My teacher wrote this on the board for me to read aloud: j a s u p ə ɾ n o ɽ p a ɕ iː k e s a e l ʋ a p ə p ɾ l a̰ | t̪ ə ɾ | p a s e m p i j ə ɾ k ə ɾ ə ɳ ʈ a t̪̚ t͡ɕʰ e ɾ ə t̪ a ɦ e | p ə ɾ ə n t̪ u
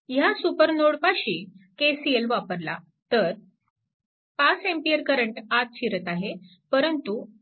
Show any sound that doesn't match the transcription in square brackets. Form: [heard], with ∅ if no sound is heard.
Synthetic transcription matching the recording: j a s u p ə ɾ n o ɽ p a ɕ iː k e s [i] e l ʋ a p ə [∅] ɾ l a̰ | t̪ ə ɾ | p a s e m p i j ə ɾ k ə ɾ ə ɳ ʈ a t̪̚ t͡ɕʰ [i] ɾ ə t̪ a ɦ e | p ə ɾ ə n t̪ u